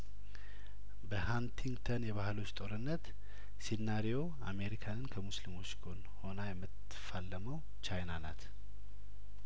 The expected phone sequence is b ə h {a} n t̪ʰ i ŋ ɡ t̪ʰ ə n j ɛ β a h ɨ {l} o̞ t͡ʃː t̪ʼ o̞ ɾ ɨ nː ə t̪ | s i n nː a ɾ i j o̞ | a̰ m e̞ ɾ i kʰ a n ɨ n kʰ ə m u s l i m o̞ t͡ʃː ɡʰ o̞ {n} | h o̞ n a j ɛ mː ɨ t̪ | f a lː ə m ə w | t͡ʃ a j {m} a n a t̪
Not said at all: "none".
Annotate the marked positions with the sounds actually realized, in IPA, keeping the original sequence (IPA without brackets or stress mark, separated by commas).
a, l, n, n